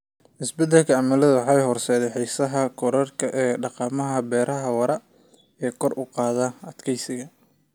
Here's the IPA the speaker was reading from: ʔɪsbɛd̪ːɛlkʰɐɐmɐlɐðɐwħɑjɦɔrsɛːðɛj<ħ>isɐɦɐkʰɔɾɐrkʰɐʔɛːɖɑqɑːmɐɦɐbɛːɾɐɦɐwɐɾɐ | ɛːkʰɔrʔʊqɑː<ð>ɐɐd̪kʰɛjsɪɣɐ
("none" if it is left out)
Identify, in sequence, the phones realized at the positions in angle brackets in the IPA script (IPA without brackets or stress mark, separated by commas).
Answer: ħ, ð